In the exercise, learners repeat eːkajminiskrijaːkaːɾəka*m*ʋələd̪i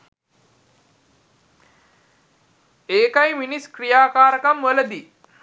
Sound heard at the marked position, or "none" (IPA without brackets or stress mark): m